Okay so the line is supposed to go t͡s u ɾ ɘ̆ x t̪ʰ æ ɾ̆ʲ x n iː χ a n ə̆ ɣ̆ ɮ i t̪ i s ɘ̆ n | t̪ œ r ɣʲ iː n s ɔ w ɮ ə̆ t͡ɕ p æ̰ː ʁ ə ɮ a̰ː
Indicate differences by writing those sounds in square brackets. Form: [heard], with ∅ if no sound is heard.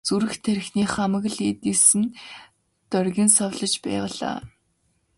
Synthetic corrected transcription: t͡s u ɾ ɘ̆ x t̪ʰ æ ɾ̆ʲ x n iː χ a [m] ə̆ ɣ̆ ɮ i t̪ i s ɘ̆ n | t̪ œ r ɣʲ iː n s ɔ w ɮ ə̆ t͡ɕ p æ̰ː ʁ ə ɮ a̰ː